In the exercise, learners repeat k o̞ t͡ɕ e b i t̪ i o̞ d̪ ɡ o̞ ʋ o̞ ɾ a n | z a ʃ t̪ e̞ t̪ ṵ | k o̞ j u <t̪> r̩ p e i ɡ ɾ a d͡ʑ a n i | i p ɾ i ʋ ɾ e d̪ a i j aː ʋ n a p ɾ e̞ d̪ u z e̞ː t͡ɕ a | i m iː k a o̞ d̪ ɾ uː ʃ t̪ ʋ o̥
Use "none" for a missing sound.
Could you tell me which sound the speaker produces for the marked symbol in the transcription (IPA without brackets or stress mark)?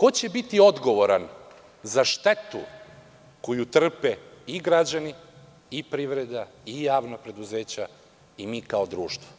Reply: t̪